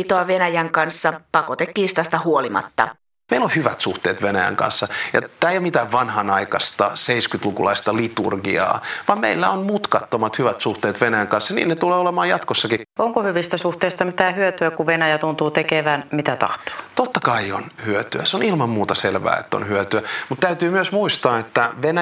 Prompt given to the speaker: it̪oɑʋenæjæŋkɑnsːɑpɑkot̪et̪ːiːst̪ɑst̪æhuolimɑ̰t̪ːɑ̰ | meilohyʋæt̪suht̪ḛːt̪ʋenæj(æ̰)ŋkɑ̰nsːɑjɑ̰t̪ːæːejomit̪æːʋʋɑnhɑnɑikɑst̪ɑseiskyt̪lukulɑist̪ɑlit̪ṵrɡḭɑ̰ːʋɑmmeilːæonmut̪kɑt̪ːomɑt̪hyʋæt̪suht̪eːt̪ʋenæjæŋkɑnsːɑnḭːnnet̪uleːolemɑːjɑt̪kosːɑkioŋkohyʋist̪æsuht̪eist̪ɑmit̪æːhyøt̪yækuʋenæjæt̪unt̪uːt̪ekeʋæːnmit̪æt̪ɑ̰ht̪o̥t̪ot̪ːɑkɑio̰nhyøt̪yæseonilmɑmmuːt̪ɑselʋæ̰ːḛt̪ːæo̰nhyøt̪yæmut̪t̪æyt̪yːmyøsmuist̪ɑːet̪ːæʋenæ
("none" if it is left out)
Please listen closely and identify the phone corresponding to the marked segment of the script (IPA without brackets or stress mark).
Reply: æ̰